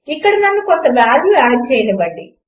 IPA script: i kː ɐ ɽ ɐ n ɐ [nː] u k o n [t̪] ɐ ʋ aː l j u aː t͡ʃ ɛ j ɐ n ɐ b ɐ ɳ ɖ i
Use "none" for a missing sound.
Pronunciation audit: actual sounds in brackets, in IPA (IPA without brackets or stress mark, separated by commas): nː, t̪